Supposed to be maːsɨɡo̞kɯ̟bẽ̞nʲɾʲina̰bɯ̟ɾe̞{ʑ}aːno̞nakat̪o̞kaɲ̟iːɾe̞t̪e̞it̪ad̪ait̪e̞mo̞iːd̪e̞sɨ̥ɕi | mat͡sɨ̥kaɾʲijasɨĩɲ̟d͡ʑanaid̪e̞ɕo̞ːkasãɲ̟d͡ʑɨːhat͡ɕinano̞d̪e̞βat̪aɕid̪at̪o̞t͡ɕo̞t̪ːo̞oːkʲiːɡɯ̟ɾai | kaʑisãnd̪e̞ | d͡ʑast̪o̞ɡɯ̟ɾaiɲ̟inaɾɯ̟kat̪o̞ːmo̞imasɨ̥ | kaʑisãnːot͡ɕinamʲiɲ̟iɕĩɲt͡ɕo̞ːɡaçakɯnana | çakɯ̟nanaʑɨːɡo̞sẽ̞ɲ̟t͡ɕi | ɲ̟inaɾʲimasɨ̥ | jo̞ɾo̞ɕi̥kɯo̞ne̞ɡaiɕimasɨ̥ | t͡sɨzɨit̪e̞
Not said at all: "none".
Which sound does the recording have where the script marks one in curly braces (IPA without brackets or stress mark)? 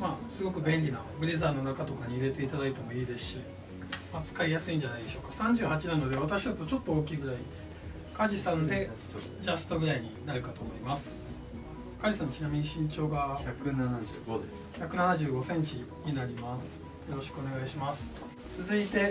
z